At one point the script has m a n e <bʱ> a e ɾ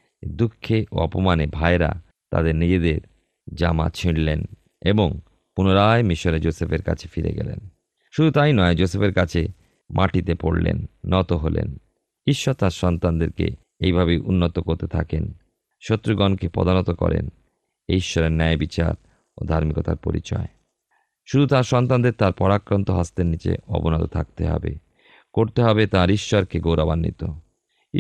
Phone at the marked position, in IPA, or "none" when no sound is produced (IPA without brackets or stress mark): bʱ